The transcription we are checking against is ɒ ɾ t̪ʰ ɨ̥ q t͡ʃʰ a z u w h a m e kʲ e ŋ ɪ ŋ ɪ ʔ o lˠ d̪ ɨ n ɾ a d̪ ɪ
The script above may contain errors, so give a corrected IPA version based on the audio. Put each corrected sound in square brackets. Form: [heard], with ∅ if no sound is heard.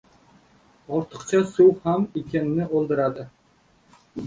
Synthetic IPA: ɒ ɾ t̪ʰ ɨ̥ q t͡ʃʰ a [s] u w h a m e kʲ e [n] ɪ [n] ɪ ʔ o lˠ d̪ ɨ [∅] ɾ a d̪ ɪ